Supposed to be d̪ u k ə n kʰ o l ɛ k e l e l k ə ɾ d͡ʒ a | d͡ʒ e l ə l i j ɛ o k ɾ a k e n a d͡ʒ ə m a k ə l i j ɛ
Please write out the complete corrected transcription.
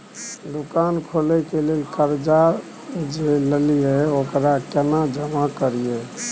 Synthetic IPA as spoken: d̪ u k a n kʰ o l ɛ k e l e l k ə ɾ d͡ʒ a | d͡ʒ e l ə l i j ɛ o k ɾ a k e n a d͡ʒ ə m a k ə ɾ i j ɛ